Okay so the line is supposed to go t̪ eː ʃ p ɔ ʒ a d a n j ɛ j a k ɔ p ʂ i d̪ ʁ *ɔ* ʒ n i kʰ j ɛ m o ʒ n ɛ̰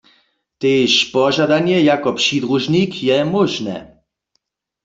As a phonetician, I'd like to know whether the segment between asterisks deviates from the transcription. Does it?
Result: yes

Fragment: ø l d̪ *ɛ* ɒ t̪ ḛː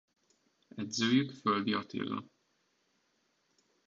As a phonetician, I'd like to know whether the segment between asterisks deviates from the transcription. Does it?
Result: yes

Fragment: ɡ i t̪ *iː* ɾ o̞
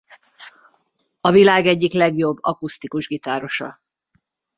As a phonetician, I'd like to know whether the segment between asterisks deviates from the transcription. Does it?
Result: yes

